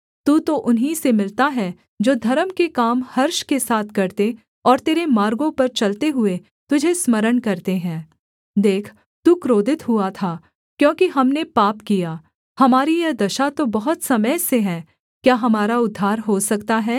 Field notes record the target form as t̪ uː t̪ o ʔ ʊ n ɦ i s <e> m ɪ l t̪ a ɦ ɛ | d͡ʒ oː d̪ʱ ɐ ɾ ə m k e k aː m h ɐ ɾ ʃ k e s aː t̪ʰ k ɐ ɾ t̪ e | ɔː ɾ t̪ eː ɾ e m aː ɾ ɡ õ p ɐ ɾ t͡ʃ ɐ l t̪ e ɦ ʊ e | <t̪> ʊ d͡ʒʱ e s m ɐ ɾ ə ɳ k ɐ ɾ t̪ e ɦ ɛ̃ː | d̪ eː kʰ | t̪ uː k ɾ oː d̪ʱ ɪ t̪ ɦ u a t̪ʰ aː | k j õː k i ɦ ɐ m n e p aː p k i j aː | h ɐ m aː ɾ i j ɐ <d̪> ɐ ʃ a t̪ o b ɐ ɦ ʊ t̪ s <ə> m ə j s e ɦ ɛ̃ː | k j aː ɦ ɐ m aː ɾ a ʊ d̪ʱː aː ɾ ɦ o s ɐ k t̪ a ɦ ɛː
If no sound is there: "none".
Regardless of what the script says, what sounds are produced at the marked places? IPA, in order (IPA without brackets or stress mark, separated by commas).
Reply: e, t̪, d̪, ɐ